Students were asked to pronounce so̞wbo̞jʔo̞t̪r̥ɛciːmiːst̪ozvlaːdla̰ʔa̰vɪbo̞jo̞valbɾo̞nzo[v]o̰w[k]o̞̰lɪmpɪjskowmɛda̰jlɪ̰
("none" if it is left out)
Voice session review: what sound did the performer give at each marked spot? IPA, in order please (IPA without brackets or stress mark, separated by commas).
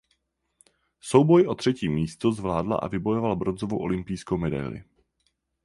v, ʔ